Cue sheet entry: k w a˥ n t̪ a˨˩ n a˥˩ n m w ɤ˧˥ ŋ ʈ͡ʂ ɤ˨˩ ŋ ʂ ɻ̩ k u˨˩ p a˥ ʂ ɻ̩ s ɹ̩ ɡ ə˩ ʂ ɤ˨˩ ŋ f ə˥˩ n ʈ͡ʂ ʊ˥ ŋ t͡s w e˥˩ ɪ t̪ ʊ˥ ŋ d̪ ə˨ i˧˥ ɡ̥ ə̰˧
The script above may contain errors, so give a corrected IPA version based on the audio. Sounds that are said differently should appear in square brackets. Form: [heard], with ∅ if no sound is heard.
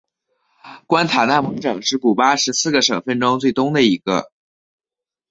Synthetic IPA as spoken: k w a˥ n [t̪ʰ] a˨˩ n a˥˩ n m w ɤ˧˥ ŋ ʈ͡ʂ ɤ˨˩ ŋ ʂ ɻ̩ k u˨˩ p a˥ ʂ ɻ̩ s ɹ̩ ɡ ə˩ ʂ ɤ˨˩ ŋ f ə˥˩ n ʈ͡ʂ ʊ˥ ŋ t͡s w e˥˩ ɪ t̪ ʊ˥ ŋ d̪ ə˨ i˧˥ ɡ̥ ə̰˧

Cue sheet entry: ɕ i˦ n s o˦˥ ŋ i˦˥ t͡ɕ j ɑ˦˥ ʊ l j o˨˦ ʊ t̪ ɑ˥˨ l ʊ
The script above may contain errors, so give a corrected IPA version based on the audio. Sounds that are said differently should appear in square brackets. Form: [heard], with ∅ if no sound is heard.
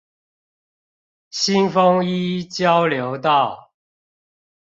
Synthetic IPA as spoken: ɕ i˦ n [f] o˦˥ ŋ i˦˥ t͡ɕ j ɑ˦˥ ʊ l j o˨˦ ʊ t̪ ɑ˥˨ [∅] ʊ

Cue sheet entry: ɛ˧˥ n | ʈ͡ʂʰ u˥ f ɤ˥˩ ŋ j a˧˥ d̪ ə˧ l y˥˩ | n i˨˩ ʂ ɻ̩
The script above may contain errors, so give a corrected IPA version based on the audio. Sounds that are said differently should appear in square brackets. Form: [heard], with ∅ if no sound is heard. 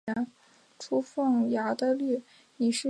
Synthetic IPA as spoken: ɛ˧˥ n | ʈ͡ʂʰ u˥ f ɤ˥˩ ŋ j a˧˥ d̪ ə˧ l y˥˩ | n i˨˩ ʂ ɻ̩

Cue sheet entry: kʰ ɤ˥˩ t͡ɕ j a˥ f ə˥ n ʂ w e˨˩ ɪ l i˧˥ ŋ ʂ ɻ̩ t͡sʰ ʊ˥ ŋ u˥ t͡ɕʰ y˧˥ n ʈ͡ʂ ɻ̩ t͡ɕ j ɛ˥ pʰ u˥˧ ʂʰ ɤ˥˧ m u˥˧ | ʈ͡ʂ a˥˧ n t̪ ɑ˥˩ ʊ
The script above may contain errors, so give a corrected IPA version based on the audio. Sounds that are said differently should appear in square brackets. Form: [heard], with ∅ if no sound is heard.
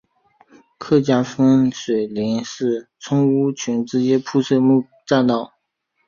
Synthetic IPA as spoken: kʰ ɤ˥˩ t͡ɕ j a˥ f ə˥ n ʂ w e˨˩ ɪ l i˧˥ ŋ ʂ ɻ̩ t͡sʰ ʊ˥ ŋ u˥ t͡ɕʰ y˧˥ n ʈ͡ʂ ɻ̩ t͡ɕ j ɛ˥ pʰ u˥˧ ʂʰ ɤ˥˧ m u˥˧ | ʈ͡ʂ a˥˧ n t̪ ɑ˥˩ ʊ

